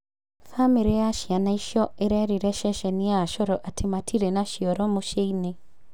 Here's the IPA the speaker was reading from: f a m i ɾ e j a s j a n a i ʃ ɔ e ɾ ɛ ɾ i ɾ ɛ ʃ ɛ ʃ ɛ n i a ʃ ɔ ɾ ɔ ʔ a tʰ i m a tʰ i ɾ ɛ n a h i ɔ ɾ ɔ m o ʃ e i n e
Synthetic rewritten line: f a m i ɾ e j a ʃ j a n a i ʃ ɔ e ɾ ɛ ɾ i ɾ ɛ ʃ ɛ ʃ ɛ n i a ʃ ɔ ɾ ɔ ʔ a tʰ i m a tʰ i ɾ ɛ n a ʃ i ɔ ɾ ɔ m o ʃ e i n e